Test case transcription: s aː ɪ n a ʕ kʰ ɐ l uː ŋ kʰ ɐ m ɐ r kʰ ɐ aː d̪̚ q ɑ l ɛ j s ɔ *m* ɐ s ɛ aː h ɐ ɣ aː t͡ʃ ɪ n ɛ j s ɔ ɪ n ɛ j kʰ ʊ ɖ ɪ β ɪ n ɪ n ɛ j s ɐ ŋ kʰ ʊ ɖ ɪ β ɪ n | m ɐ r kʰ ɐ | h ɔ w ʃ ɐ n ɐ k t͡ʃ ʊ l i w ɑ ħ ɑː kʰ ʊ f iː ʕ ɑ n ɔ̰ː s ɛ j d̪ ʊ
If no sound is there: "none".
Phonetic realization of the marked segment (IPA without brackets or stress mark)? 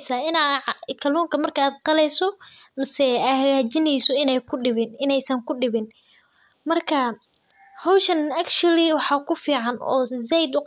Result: m